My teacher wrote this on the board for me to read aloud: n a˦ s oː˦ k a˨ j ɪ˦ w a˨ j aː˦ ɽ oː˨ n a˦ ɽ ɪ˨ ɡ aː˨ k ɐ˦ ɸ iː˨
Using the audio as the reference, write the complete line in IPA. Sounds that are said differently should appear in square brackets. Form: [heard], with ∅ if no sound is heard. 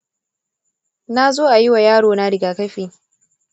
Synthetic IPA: n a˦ [z] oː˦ [ʔ] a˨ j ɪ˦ w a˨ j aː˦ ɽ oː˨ n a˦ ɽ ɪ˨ ɡ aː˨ k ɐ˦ ɸ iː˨